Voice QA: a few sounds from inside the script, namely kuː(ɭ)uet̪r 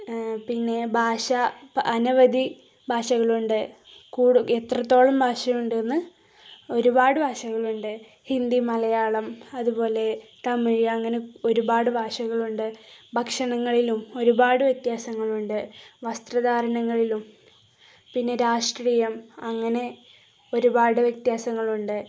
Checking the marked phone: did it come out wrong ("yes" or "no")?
yes